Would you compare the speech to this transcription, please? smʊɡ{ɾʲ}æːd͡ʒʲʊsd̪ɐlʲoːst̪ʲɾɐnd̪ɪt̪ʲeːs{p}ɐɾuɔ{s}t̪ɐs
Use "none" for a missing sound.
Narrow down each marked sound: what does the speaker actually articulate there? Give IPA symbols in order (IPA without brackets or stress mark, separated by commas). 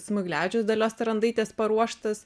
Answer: lʲ, p, ʃ